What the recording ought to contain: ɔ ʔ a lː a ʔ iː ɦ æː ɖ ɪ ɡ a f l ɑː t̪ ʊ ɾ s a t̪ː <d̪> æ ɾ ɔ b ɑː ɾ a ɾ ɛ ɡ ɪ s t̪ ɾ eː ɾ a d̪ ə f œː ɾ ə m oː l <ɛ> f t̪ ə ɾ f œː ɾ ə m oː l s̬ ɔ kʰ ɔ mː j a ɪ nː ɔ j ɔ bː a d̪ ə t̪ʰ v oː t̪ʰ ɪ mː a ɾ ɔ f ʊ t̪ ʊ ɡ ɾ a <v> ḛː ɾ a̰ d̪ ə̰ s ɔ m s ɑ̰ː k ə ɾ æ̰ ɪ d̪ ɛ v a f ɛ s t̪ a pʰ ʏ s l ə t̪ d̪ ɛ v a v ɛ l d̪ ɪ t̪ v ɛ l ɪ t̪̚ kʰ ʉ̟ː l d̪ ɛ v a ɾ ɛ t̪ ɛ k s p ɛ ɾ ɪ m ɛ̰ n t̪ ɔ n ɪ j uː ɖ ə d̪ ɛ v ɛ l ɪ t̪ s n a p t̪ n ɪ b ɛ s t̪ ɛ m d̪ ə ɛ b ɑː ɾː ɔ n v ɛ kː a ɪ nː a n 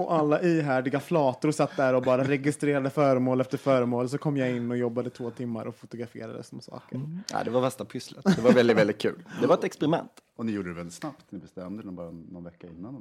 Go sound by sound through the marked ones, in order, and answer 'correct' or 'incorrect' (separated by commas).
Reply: correct, correct, incorrect